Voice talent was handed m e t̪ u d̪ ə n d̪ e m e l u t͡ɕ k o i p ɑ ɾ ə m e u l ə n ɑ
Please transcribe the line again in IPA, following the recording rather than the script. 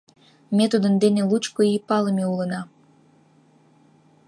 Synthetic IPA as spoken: m e t̪ u d̪ ə n d̪ e n e l u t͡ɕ k o i p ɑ l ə m e u l ə n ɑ